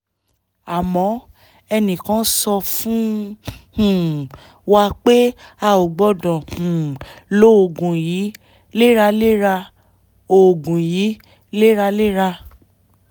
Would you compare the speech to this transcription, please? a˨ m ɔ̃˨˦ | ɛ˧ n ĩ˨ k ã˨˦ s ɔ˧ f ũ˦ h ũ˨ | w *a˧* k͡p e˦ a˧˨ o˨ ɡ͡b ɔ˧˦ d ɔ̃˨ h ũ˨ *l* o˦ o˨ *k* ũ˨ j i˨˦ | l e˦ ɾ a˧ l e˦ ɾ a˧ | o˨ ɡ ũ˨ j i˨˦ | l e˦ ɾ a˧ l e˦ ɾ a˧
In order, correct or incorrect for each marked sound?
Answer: correct, correct, incorrect: ɡ

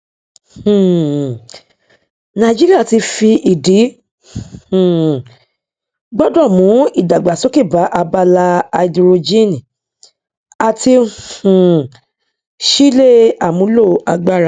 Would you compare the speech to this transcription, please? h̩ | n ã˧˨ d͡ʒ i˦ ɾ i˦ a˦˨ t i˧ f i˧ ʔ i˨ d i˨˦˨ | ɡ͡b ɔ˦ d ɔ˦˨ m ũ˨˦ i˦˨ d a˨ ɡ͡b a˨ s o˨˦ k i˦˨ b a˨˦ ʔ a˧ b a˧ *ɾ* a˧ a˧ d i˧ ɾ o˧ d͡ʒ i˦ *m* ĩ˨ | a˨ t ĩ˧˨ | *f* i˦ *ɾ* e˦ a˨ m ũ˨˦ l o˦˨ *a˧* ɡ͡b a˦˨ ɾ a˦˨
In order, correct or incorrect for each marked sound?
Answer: incorrect: l, incorrect: n, incorrect: ʃ, incorrect: l, correct

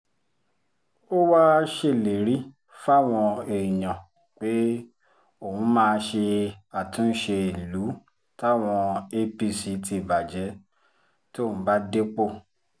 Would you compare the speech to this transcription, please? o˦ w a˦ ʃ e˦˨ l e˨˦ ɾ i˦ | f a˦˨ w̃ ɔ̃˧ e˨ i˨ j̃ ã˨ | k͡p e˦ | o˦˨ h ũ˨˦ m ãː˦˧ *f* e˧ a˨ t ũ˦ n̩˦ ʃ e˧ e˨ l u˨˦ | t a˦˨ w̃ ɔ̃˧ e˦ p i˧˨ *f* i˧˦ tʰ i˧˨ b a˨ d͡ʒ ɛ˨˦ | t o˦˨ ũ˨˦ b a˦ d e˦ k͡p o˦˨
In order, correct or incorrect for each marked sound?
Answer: incorrect: ʃ, incorrect: s

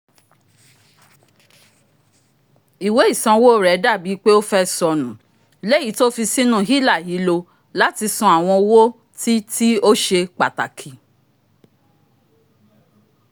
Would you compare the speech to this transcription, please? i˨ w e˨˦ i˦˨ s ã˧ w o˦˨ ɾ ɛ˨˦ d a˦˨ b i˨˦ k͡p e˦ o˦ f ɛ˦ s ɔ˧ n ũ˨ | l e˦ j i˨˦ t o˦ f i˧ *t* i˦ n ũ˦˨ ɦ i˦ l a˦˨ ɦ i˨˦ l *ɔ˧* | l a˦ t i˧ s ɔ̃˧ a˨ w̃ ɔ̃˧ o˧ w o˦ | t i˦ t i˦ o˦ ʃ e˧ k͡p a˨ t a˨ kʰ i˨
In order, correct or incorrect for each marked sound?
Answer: incorrect: s, incorrect: o˧

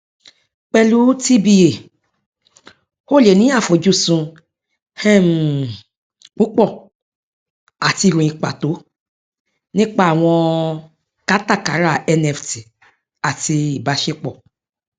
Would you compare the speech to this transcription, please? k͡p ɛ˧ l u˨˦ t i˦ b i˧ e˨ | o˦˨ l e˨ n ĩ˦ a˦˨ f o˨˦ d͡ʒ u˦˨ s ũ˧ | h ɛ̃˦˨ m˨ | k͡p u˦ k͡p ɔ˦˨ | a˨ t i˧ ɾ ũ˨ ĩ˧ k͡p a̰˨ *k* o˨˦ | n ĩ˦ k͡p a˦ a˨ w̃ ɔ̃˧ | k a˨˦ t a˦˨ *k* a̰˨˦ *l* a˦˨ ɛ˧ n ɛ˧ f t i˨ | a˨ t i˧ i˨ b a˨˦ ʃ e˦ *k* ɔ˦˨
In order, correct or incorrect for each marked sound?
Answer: incorrect: t, correct, incorrect: ɾ, incorrect: k͡p

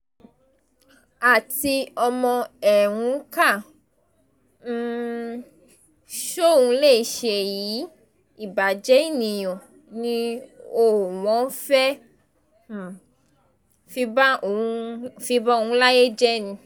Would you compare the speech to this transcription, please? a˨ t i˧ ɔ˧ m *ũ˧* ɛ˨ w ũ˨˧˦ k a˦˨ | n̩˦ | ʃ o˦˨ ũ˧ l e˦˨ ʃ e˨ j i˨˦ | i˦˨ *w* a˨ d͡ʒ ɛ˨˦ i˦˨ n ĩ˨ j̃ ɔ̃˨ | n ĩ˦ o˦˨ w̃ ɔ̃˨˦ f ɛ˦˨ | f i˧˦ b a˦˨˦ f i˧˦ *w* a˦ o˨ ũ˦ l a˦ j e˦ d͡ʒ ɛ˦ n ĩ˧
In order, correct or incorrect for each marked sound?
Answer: incorrect: ɔ̃˧, incorrect: b, incorrect: b

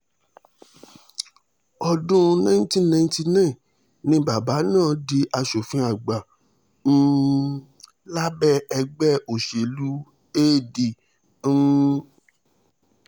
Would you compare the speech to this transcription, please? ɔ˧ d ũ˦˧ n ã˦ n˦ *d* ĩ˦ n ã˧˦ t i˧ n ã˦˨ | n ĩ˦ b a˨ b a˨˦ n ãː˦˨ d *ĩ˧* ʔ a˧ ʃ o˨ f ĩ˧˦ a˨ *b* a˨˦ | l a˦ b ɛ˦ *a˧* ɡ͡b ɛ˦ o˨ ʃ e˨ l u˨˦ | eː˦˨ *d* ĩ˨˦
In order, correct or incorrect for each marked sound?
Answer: incorrect: t, incorrect: i˧, incorrect: ɡ͡b, incorrect: ɛ˧, correct

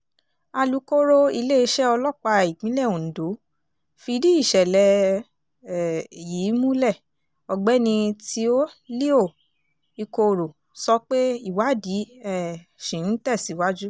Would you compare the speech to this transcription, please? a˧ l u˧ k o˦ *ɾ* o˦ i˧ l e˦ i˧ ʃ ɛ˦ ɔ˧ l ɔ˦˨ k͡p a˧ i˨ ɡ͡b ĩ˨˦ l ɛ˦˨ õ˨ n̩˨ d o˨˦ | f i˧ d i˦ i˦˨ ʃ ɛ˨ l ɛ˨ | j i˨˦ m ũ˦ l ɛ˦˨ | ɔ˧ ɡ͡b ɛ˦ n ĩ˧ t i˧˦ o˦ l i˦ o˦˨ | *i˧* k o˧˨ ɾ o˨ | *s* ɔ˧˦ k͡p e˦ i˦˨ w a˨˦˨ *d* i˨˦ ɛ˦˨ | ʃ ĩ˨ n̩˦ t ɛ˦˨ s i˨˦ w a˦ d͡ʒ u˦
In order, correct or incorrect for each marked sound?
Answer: correct, correct, correct, correct

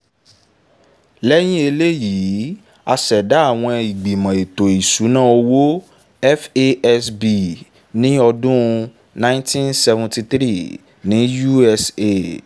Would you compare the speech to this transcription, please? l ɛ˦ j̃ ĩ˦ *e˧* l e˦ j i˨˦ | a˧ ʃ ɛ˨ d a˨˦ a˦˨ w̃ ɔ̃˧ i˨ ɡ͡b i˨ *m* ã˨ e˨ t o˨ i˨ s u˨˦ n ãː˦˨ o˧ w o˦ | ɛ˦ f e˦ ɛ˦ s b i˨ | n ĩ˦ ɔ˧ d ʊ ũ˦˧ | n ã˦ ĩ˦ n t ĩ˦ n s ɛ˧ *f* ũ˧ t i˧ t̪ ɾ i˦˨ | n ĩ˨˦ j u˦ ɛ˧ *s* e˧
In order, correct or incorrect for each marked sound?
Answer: correct, correct, incorrect: v, correct

